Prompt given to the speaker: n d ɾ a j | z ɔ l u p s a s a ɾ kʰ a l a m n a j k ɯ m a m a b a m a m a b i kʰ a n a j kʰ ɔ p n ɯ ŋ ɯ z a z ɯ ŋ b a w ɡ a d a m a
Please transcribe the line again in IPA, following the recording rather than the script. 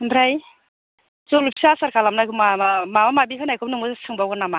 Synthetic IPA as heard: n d ɾ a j | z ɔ l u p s a s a ɾ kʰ a l a m n a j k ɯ m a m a m a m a m a b i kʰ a n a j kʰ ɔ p n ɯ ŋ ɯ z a s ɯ ŋ b a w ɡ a n a m a

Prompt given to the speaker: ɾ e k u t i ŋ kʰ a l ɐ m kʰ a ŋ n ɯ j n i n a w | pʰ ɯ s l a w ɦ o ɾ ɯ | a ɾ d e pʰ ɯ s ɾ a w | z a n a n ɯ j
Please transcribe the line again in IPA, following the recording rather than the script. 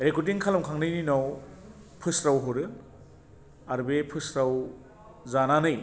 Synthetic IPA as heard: ɾ e k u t i ŋ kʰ a l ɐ m kʰ a ŋ n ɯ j n i n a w | pʰ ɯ s ɾ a w ɦ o ɾ ɯ | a ɾ b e pʰ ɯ s ɾ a w | z a n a n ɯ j

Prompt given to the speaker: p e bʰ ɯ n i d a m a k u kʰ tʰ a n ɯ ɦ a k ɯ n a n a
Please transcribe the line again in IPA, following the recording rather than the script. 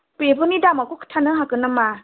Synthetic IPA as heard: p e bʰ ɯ n i d a m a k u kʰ tʰ a n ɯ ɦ a k ɯ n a m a

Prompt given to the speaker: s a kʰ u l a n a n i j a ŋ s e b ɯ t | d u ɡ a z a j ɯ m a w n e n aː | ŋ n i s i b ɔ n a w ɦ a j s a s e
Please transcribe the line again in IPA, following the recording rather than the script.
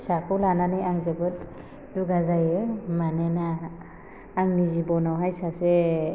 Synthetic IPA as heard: s a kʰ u l a n a n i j a ŋ z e b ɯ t | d u ɡ a z a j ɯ m a n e n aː | ŋ n i z i b ɔ n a w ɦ a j s a s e

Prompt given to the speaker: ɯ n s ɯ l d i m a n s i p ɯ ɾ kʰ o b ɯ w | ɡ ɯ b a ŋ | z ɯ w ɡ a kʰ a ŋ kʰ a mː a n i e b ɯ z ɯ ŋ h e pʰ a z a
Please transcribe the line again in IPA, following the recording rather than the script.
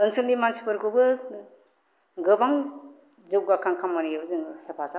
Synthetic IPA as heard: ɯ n s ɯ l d i m a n s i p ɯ ɾ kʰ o b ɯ | ɡ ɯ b a ŋ | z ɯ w ɡ a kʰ a ŋ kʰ a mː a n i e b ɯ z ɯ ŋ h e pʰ a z a

